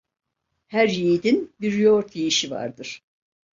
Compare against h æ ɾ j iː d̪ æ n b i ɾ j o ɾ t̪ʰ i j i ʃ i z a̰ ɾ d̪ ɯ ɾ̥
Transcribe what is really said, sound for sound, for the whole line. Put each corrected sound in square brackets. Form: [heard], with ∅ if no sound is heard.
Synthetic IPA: h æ ɾ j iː d̪ [i] n b i ɾ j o ɾ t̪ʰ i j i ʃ i [v] a̰ ɾ d̪ ɯ ɾ̥

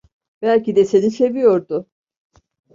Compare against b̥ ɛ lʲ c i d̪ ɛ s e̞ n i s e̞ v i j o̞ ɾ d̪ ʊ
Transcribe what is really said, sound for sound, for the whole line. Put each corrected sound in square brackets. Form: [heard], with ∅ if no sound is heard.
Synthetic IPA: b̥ [æ] lʲ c i d̪ ɛ s e̞ n i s e̞ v i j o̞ ɾ d̪ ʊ

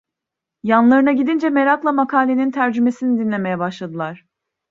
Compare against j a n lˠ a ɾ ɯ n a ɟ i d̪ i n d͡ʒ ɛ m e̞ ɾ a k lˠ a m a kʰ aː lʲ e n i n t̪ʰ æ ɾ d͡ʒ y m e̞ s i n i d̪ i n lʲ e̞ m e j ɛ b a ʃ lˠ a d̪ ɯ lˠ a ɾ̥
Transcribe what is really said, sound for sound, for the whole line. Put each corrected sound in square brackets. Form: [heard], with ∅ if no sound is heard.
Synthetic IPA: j a n lˠ a ɾ ɯ n a ɟ i d̪ i n d͡ʒ ɛ m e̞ ɾ a k lˠ a m a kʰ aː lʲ e n i n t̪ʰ æ ɾ d͡ʒ y m e̞ s i n i d̪ i n lʲ e̞ m e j ɛ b a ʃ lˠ a d̪ ɯ lˠ a ɾ̥

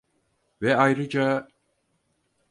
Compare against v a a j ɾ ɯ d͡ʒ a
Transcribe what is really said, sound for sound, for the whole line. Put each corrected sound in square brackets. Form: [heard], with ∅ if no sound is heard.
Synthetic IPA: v [ɛ] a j ɾ ɯ d͡ʒ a

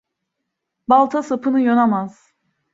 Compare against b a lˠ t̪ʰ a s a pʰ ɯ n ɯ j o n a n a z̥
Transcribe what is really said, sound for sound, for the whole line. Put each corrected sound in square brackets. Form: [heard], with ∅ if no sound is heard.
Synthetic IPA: b a lˠ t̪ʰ a s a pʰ ɯ n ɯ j o n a [m] a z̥

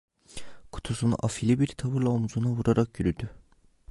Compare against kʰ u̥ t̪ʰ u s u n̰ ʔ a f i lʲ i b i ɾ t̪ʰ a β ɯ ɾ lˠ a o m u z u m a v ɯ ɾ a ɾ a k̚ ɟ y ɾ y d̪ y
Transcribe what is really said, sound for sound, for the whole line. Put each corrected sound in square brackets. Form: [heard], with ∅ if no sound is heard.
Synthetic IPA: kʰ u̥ t̪ʰ u s u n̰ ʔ a f i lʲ i b i ɾ t̪ʰ a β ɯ ɾ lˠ a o m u z u [n] a v [u] ɾ a ɾ a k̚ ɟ y ɾ y d̪ y

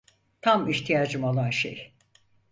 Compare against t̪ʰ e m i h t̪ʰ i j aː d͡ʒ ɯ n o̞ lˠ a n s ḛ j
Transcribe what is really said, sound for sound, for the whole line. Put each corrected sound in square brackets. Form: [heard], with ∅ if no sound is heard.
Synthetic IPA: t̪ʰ [a] m i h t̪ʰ i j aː d͡ʒ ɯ [m] o̞ lˠ a n [ʃ] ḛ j

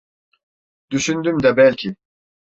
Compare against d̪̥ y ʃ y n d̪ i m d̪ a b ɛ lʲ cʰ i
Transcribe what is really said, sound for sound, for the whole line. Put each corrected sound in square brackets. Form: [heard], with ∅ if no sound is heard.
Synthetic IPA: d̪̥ y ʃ y n d̪ [y] m d̪ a b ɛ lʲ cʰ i

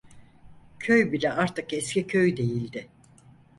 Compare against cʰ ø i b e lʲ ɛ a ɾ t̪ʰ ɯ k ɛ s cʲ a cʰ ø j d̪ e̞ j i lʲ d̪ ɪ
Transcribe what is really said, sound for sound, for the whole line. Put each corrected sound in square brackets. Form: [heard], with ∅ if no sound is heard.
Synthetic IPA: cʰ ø [j] b [i] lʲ ɛ a ɾ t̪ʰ ɯ k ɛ s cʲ [i] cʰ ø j d̪ e̞ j i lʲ d̪ ɪ

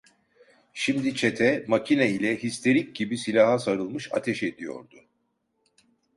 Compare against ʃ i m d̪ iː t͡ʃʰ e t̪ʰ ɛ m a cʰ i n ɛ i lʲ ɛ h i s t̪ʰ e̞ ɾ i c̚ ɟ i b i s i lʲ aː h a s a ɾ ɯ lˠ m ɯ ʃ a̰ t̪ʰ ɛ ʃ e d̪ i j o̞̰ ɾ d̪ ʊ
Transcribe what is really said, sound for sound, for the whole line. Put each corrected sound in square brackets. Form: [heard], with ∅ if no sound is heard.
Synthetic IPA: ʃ i m d̪ [i] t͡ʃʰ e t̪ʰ ɛ m a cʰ i n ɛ i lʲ ɛ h i s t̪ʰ e̞ ɾ i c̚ ɟ i b i s i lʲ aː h a s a ɾ ɯ lˠ m ɯ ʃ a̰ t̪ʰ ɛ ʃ e d̪ i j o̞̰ ɾ d̪ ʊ

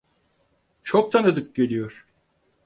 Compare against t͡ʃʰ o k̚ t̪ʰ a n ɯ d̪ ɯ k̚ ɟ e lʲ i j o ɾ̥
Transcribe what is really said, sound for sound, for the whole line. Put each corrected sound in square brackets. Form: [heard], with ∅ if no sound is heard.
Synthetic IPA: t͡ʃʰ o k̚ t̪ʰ a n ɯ d̪ ɯ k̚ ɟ e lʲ i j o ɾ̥

